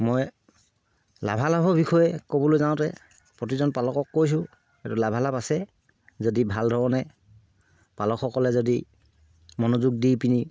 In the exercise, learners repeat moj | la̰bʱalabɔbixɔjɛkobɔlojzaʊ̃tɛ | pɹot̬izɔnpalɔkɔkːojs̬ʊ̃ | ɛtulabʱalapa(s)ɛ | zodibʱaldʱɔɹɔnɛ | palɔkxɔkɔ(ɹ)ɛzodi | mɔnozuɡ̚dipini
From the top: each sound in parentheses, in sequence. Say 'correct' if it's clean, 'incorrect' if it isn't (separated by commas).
correct, incorrect